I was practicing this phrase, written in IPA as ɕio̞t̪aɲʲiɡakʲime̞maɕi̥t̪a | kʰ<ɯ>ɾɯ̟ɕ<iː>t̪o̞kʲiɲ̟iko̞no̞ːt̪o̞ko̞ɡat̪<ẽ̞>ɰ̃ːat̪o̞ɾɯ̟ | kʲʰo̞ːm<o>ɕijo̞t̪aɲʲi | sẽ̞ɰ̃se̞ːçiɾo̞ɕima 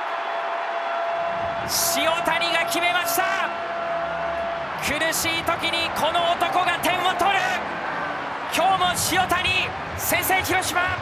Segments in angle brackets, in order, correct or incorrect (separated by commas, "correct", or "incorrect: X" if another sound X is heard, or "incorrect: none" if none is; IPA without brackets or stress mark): correct, correct, correct, correct